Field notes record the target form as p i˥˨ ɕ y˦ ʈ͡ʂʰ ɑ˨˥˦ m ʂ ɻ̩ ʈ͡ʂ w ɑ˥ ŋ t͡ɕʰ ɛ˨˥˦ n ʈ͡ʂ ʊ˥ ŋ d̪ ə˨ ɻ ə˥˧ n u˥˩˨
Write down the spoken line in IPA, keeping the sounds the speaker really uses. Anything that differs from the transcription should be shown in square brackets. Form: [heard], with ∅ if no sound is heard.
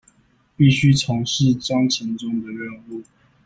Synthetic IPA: p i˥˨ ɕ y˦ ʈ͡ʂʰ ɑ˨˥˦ [ŋ] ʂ ɻ̩ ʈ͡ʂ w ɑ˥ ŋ t͡ɕʰ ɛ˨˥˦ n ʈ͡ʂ ʊ˥ ŋ d̪ ə˨ ɻ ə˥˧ n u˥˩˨